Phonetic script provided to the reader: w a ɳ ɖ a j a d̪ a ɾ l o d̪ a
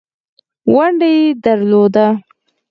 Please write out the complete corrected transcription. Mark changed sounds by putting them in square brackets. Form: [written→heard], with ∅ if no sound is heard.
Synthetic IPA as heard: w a ɳ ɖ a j [a→e] d̪ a ɾ l o d̪ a